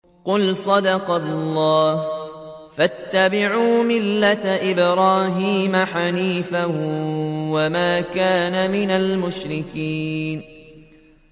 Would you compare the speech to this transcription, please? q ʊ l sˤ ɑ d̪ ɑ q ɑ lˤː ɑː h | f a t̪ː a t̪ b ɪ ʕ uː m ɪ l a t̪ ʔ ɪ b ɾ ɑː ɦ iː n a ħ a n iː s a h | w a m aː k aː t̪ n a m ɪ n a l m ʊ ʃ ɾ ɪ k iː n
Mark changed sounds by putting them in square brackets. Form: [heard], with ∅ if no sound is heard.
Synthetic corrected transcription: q ʊ l sˤ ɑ d̪ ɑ q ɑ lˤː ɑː h | f a t̪ː a [∅] b ɪ ʕ uː m ɪ [lː] a t̪ ʔ ɪ b ɾ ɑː ɦ iː [m] a ħ a n iː [f] a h | w a m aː k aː [∅] n a m ɪ n a l m ʊ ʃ ɾ ɪ k iː n